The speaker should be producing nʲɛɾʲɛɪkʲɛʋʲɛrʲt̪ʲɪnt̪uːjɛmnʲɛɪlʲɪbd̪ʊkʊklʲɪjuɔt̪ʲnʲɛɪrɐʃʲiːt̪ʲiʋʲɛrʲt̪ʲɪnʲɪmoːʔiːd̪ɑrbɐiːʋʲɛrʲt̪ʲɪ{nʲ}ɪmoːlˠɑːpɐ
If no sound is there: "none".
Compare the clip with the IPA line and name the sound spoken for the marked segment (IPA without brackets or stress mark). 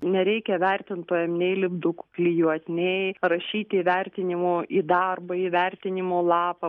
nʲ